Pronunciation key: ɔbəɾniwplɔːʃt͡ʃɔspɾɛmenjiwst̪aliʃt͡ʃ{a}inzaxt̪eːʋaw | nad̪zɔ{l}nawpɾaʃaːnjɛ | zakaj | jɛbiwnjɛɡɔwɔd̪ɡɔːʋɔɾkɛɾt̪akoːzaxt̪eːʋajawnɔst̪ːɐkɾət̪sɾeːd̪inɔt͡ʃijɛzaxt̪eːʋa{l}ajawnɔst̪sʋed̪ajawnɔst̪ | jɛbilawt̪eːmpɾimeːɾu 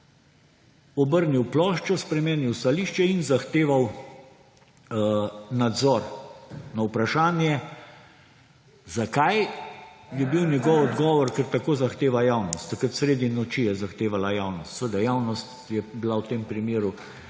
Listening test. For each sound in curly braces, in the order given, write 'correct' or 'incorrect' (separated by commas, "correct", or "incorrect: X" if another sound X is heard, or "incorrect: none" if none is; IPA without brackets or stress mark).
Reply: incorrect: ɛ, incorrect: ɾ, correct